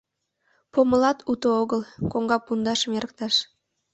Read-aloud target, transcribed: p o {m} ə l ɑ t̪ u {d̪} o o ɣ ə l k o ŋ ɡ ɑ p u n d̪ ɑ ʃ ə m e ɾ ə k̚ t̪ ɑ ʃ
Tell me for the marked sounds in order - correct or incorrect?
correct, incorrect: t̪

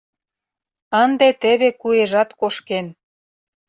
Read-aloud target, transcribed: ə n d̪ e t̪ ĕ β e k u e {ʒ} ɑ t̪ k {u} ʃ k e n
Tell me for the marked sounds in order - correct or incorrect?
correct, incorrect: o

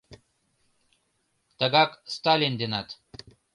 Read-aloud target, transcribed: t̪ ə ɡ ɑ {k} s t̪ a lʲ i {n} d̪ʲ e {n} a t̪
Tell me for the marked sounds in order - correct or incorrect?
correct, correct, correct

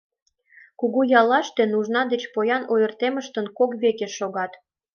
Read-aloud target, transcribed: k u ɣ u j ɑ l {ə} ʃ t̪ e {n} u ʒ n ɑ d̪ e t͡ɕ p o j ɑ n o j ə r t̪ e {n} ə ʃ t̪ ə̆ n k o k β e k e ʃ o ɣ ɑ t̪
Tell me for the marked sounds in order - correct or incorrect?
incorrect: ɑ, correct, incorrect: m

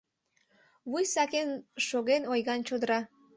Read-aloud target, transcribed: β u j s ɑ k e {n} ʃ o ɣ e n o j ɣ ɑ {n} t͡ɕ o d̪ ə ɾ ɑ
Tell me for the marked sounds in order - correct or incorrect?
correct, correct

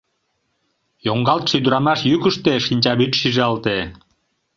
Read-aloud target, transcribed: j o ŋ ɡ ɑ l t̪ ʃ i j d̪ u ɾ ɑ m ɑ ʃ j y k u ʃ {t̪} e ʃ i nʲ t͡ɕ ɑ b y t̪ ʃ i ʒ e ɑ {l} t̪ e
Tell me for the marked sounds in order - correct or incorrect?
correct, correct

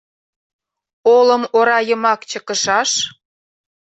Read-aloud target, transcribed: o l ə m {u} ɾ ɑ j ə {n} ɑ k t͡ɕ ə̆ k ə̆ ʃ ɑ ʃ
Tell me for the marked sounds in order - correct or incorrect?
incorrect: o, incorrect: m

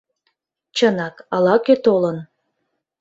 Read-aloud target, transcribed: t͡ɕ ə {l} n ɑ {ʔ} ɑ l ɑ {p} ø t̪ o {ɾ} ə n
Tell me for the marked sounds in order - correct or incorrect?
incorrect: none, incorrect: k, incorrect: k, incorrect: l

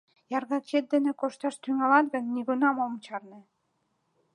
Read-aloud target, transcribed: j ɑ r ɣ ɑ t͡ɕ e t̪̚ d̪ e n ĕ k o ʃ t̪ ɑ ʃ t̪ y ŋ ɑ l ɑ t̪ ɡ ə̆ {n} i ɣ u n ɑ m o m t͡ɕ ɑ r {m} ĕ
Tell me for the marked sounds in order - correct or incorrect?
incorrect: nː, incorrect: n

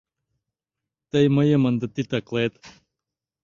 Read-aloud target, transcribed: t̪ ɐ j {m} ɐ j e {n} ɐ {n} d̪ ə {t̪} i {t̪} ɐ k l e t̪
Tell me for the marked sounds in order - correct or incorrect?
correct, incorrect: m, correct, correct, correct

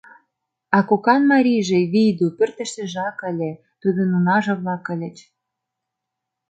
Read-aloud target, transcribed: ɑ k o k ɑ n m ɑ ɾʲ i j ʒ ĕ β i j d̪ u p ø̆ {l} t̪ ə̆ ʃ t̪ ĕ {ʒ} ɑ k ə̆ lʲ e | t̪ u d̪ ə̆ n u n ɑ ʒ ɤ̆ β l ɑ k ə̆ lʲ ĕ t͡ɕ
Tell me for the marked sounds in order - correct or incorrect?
incorrect: r, correct

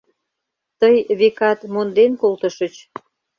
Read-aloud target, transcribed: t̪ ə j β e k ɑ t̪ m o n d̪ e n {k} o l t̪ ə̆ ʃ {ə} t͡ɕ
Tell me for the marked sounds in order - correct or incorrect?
correct, correct

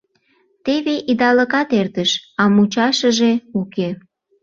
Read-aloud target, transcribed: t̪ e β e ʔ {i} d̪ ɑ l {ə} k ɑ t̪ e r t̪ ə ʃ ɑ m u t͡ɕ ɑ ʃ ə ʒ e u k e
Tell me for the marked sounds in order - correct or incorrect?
correct, correct

